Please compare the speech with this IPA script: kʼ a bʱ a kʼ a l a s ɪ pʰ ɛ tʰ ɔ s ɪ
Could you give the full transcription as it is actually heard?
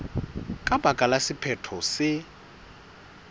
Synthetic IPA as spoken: kʼ a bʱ a kʼ a l a s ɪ pʰ ɛ tʰ ɔ s ɪ